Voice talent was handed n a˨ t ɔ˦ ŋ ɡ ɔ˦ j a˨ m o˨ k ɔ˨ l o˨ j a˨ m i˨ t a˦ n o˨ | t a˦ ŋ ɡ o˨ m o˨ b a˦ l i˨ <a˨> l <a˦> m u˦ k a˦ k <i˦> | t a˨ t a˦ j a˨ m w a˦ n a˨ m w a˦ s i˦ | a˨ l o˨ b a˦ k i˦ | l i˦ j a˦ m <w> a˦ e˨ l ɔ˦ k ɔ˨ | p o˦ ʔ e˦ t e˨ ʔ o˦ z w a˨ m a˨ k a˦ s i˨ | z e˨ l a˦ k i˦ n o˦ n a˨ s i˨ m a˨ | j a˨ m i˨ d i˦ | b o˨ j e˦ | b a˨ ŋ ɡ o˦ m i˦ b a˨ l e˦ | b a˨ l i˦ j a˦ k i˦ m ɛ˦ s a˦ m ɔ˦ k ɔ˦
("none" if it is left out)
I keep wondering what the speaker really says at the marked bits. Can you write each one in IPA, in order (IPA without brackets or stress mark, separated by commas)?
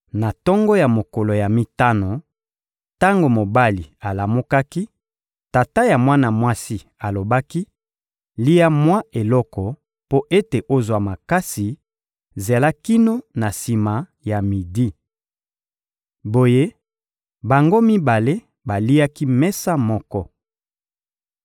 a˨, a˨, i˦, w